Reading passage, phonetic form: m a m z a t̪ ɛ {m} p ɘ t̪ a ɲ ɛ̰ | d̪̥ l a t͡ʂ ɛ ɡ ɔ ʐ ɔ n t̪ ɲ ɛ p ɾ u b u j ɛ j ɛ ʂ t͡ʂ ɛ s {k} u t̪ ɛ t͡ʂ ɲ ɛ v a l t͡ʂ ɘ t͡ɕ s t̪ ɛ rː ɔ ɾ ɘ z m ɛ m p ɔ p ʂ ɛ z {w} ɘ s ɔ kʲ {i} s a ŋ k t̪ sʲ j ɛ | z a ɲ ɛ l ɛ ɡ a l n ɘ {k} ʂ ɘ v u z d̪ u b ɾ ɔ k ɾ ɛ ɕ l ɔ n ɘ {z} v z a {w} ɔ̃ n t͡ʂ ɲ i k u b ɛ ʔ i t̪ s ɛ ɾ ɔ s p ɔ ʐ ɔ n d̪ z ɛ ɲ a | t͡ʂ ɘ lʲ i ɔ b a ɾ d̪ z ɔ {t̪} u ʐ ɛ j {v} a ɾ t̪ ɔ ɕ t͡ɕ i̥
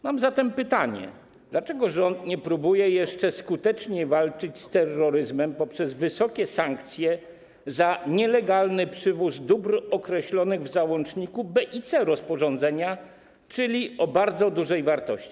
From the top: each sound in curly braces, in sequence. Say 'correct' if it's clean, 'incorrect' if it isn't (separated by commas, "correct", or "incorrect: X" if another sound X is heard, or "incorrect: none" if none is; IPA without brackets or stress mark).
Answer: correct, correct, incorrect: v, incorrect: ɛ, incorrect: p, incorrect: ɣ, correct, incorrect: d̪, correct